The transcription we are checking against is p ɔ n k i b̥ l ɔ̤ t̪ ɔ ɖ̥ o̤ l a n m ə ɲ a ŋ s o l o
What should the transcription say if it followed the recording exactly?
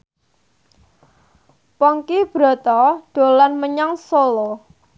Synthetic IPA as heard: p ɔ ŋ k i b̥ ɾ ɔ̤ t̪ ɔ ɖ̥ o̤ l a n m ə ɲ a ŋ s o l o